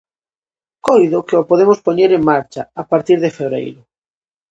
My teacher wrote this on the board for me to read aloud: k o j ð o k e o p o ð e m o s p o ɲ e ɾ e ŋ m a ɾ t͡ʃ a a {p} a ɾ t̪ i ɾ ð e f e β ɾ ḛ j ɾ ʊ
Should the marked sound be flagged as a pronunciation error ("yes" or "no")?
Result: no